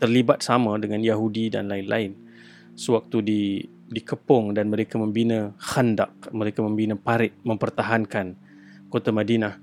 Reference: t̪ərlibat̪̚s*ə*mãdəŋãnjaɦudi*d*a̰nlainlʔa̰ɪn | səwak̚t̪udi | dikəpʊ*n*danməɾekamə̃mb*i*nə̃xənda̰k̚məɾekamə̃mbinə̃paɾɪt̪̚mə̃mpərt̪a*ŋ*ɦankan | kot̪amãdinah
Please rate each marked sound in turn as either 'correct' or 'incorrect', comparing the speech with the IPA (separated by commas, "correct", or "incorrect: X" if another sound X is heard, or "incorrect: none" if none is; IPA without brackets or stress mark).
incorrect: a, correct, incorrect: ŋ, correct, incorrect: none